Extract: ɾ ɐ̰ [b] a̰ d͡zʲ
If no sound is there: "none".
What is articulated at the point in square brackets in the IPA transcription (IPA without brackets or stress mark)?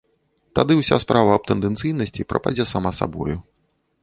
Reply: p